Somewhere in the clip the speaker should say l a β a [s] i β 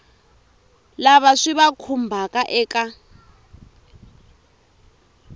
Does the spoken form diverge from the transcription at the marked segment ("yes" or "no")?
yes